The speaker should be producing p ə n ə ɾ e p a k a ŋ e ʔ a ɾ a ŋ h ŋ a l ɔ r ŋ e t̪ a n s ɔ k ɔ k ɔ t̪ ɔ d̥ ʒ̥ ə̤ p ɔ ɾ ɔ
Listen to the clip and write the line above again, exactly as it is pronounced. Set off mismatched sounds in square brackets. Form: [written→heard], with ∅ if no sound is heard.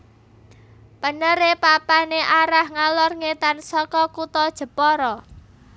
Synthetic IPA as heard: p ə n ə ɾ e p a [k→p] a [ŋ→n] e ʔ a ɾ a [ŋ→∅] h ŋ a l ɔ r ŋ e t̪ a n s ɔ k ɔ k [ɔ→u] t̪ ɔ d̥ ʒ̥ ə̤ p ɔ ɾ ɔ